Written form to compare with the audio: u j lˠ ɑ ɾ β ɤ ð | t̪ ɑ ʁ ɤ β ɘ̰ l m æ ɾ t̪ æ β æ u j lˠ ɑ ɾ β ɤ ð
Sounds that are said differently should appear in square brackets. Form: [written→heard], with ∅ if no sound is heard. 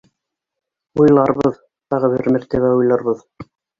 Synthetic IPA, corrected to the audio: u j lˠ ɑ ɾ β ɤ ð | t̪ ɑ ʁ ɤ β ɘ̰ [l→ɾ] m æ ɾ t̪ æ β æ u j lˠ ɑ ɾ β ɤ ð